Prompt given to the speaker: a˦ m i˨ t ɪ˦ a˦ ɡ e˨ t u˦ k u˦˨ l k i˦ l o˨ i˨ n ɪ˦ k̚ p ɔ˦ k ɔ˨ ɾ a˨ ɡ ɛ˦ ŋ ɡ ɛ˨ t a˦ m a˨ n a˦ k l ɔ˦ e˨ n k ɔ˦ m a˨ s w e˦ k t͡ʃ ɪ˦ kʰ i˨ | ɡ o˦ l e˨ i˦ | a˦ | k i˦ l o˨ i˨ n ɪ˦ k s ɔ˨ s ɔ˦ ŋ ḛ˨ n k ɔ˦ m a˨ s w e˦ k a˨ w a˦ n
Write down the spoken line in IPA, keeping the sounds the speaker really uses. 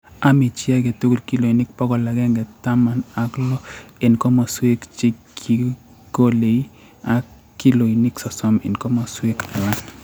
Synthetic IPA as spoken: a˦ m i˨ t͡ʃ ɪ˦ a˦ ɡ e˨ t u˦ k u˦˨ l k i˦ l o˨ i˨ n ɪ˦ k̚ p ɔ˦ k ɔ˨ l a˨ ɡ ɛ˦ ŋ ɡ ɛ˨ t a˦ m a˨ n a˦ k l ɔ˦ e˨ n k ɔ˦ m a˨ s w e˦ k t͡ʃ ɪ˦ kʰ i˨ | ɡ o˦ l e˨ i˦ | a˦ | k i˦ l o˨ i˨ n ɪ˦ k s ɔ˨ s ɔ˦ m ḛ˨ n k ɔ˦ m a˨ s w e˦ k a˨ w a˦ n